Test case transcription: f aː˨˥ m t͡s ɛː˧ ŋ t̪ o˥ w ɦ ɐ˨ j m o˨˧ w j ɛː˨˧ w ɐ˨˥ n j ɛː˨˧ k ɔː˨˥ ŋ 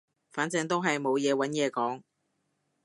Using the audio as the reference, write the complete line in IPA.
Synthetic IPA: f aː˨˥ n t͡s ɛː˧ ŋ t̪ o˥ w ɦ ɐ˨ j m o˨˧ w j ɛː˨˧ w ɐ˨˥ n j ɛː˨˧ k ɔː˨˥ ŋ